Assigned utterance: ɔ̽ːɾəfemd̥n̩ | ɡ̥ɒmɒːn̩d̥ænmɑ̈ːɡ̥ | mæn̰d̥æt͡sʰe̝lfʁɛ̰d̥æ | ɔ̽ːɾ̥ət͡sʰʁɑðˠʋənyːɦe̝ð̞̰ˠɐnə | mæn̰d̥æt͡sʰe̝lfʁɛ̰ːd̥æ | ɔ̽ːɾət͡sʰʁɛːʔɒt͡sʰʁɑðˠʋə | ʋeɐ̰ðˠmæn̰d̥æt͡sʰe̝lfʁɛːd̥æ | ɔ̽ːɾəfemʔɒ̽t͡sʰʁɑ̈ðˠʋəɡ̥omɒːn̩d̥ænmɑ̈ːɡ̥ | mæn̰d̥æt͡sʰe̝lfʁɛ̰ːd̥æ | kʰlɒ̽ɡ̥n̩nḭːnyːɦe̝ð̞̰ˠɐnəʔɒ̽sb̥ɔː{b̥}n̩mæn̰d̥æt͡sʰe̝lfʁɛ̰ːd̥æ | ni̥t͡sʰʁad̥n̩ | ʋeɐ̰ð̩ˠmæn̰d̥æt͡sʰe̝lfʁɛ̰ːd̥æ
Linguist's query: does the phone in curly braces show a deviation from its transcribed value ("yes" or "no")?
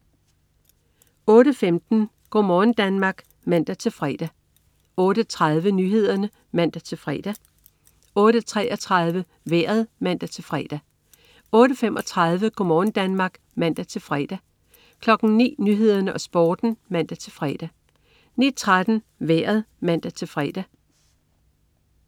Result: yes